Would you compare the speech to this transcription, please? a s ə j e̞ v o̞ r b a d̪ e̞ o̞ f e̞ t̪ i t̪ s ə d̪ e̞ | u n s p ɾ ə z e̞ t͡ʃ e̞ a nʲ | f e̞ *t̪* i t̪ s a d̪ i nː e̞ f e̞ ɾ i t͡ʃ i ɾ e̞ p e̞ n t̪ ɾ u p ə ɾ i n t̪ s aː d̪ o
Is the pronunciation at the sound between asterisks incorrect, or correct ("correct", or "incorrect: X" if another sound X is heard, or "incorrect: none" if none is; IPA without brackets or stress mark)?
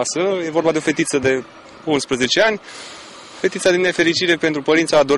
correct